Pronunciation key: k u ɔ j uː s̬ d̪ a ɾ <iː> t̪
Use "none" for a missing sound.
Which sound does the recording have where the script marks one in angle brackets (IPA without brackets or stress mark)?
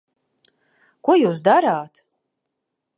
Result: aː